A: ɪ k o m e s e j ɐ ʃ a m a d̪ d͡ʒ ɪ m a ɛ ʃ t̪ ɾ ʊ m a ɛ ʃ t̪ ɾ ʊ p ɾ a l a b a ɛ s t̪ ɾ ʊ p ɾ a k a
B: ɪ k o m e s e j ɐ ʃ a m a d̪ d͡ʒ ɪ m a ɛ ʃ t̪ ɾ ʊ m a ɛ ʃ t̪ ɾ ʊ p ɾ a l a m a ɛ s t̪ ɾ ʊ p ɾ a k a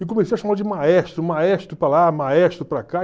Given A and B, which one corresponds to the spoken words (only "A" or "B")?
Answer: B